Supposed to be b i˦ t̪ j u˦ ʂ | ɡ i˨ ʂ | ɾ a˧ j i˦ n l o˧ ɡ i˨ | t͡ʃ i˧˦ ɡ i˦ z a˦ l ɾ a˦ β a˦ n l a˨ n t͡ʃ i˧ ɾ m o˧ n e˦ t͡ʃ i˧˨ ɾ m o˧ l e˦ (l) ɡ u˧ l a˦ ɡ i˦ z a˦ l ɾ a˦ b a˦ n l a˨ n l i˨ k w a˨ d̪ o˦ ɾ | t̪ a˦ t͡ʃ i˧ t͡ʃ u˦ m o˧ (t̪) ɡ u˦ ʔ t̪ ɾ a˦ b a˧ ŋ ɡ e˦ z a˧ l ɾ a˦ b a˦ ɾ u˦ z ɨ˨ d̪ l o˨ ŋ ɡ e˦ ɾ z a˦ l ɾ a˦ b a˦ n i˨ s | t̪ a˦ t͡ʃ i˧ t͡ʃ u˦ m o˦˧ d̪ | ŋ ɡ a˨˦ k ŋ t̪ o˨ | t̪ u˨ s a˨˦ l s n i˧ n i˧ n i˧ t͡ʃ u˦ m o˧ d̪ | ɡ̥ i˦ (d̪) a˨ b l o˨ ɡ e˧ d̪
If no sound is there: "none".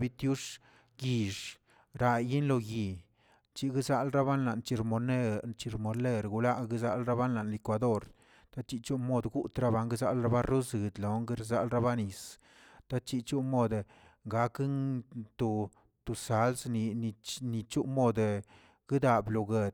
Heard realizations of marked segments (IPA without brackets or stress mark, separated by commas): ɾ, d̪, d̪